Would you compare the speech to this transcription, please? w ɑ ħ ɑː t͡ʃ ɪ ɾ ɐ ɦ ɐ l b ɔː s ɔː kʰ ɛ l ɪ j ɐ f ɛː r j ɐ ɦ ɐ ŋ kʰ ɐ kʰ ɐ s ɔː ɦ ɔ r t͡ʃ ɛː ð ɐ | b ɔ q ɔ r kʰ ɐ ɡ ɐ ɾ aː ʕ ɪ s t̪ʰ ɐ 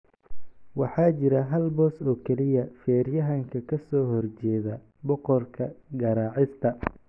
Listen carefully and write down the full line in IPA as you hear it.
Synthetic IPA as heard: w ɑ ħ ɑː t͡ʃ ɪ ɾ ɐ ɦ ɐ l b ɔː s ɔː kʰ ɛ l ɪ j ɐ f ɛː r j ɐ ɦ ɐ ŋ kʰ ɐ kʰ ɐ s ɔː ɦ ɔ r t͡ʃ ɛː ð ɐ | b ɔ q ɔ r kʰ ɐ ɡ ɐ ɾ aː ʕ ɪ s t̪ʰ ɐ